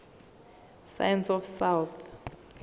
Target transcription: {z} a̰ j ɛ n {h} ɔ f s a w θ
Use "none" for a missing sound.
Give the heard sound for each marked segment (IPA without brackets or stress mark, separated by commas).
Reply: s, s